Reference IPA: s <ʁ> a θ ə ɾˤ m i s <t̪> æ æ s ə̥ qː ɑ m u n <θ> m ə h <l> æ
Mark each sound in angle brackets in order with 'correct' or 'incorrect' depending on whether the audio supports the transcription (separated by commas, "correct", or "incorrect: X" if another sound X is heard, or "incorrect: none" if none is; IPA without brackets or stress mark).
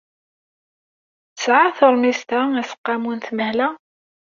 incorrect: ʕ, correct, correct, correct